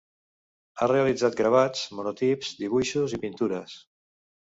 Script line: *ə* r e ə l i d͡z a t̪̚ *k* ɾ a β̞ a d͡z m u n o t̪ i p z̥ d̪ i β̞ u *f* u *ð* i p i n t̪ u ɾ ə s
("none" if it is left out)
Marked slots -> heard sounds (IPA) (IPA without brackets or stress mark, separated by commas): a, ɡ, ʃ, z